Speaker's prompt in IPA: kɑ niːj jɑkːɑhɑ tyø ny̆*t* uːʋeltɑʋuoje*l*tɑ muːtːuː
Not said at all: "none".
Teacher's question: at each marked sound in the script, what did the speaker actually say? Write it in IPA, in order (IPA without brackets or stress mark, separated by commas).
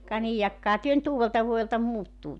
t, l